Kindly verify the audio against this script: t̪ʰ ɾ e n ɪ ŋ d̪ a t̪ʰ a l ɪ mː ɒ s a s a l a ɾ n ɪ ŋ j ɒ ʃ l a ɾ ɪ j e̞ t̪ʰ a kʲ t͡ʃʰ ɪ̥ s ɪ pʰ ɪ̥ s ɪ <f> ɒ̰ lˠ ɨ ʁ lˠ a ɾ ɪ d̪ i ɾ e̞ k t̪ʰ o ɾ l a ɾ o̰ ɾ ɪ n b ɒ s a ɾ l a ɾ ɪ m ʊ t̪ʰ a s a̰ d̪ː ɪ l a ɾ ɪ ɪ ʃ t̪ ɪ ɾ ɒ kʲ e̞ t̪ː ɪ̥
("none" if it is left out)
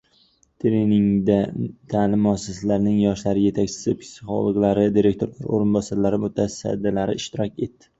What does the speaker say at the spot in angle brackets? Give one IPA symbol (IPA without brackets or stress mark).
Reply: χ